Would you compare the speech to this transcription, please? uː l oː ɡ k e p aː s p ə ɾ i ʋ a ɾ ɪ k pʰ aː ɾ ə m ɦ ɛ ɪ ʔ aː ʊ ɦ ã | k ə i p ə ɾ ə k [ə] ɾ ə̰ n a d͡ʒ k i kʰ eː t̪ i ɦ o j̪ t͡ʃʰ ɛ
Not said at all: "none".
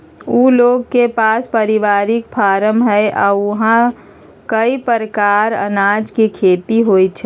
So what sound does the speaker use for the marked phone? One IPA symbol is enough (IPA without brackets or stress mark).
a